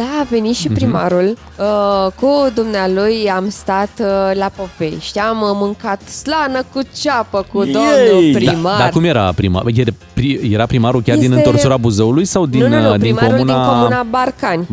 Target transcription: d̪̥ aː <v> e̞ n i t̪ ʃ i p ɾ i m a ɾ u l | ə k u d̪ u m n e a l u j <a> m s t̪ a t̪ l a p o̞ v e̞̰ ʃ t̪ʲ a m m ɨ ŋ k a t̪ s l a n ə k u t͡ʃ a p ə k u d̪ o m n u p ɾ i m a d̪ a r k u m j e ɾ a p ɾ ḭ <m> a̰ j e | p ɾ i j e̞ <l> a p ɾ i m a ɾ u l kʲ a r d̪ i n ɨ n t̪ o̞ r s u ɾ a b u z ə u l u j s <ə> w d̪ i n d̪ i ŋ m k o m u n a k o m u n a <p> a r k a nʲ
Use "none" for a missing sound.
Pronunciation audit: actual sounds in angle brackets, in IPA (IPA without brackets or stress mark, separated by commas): v, a, m, ɾ, a, b